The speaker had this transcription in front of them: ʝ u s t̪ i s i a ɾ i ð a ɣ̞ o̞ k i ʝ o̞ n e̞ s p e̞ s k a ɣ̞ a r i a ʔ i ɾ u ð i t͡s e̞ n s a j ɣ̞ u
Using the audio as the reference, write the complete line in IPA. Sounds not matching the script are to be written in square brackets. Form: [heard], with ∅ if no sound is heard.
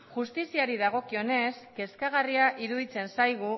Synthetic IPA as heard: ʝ u s t̪ i s i a ɾ i ð a ɣ̞ o̞ k i [∅] o̞ n e̞ s [k] e̞ s k a ɣ̞ a r i a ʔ i ɾ u ð i t͡s e̞ n s a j ɣ̞ u